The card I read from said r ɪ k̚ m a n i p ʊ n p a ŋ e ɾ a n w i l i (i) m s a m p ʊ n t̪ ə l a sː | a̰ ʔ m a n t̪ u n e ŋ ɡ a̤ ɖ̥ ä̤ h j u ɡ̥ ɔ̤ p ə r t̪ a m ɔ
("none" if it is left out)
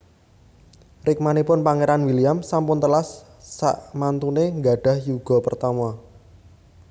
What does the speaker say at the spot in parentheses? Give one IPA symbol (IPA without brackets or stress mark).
a